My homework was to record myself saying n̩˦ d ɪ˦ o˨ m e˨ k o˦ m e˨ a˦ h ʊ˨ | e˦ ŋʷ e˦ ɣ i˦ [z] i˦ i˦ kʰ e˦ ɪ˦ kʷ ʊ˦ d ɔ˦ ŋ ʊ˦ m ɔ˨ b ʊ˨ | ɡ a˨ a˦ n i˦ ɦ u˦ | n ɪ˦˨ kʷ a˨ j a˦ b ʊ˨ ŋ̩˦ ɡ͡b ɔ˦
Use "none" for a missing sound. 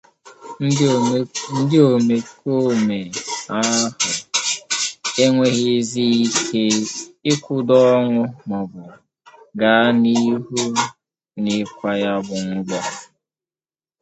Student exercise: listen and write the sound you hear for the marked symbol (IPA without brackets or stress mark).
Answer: z